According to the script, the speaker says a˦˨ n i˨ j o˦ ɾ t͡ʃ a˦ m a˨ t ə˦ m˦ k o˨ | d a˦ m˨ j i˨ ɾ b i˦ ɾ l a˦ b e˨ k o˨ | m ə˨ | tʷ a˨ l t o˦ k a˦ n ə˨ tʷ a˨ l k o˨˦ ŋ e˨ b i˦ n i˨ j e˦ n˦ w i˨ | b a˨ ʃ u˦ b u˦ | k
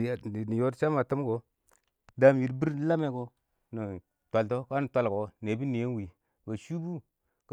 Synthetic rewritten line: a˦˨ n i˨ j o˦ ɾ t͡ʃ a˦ m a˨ t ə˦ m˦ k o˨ | d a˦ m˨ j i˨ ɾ b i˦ ɾ l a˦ m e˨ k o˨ | n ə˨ | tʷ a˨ l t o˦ k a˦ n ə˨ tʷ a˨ l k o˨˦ n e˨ b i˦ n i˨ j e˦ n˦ w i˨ | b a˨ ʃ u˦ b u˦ | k

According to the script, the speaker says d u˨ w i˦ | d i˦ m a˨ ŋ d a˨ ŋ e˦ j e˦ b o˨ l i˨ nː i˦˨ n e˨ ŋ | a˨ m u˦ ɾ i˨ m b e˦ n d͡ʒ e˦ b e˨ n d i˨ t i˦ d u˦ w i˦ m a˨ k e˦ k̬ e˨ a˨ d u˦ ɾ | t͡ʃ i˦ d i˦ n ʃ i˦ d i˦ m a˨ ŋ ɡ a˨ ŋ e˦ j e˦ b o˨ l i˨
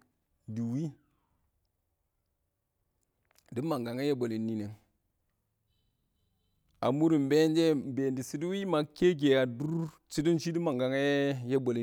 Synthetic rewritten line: d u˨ w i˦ | d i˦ m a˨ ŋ ɡ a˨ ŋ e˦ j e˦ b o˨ l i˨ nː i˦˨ n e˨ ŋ | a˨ m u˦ ɾ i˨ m b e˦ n d͡ʒ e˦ b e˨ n d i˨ s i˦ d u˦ w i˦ m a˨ k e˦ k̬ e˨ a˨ d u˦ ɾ | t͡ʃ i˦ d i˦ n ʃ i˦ d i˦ m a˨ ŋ ɡ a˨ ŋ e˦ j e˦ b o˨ l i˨

